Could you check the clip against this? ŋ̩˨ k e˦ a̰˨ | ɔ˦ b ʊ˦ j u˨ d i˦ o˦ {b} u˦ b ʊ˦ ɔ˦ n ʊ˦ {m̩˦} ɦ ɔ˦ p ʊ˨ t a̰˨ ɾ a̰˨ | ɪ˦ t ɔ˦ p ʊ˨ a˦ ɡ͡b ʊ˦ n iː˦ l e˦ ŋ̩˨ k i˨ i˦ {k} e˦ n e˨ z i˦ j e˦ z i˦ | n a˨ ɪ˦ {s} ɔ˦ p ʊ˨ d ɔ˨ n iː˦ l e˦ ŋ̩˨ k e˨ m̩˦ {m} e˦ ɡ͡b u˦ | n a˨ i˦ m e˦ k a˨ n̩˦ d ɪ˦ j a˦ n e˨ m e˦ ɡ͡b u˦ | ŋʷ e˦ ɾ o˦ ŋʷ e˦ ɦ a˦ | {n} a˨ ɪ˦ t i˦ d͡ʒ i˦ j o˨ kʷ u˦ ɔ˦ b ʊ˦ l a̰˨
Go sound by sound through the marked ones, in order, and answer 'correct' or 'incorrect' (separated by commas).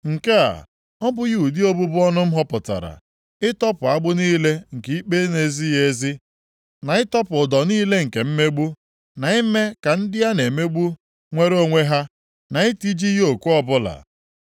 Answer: correct, correct, incorrect, incorrect, correct, correct